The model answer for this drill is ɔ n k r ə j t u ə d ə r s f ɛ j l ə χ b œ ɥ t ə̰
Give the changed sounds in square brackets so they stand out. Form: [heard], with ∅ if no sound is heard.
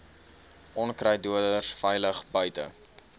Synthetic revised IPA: ɔ n k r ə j [d] u ə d ə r s f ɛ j l ə χ b œ ɥ t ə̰

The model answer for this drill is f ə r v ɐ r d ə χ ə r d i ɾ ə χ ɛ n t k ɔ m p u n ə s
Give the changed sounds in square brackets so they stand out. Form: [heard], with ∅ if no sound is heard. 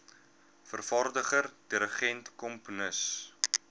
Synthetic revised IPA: f ə r [f] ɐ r d ə χ ə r d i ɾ ə χ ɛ n t k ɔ m p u n ə s

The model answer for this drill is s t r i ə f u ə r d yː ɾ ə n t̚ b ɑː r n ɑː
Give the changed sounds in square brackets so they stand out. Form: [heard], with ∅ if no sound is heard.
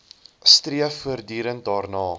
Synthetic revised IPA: s t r i ə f u ə r d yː ɾ ə n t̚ [d] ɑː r n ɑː

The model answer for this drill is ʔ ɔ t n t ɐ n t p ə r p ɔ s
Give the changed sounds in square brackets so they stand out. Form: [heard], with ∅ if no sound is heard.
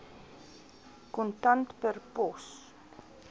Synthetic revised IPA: [k] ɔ [∅] n t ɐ n t p ə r p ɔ s

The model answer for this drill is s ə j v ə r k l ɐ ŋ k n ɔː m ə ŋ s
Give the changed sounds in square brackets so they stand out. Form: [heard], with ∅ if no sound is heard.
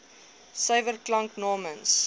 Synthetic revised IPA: s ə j v ə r k l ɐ ŋ k n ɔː m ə [n] s

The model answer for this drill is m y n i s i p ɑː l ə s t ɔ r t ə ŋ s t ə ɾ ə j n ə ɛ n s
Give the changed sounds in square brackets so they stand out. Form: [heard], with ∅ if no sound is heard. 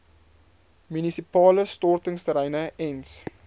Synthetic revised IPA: m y n i s i p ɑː l ə s t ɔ r t ə ŋ s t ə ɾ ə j n ə ɛ n s

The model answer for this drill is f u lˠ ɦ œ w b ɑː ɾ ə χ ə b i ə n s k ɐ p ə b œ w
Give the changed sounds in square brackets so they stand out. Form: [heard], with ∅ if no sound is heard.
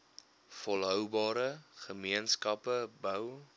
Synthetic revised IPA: f [ɔ] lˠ ɦ œ w b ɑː ɾ ə χ ə [m] i ə n s k ɐ p ə b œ w

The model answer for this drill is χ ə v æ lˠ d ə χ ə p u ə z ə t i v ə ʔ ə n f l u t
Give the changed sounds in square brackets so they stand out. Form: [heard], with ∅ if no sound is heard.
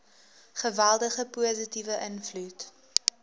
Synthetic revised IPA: χ ə v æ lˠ d ə χ ə p u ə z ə t i v ə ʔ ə n f l u t

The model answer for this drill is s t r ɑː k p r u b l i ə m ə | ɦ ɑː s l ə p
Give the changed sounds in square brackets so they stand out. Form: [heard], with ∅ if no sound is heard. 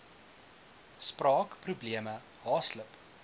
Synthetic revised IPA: s [p] r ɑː k p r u b l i ə m ə | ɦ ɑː s l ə p

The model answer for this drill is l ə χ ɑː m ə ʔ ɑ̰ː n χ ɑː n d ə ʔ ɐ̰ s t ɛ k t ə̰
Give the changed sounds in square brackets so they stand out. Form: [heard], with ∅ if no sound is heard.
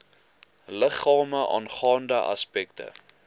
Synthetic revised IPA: l ə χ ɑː m ə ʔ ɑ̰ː n χ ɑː n d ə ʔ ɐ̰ s [p] ɛ k t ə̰

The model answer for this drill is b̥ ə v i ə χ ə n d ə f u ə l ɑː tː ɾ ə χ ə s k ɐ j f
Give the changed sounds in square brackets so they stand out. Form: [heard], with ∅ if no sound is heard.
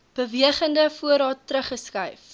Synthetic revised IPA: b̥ ə v i ə χ ə n d ə f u ə [ɾ] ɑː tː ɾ ə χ ə s k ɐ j f

